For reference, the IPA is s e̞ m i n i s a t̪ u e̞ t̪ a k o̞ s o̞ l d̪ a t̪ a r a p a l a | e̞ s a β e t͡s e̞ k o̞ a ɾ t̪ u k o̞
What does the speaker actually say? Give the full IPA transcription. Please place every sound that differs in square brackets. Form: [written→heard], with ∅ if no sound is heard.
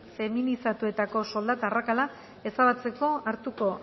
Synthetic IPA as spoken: [s→f] e̞ m i n i s a t̪ u e̞ t̪ a k o̞ s o̞ l d̪ a t̪ a r a [p→k] a l a | e̞ s a β [e→a] t͡s e̞ k o̞ a ɾ t̪ u k o̞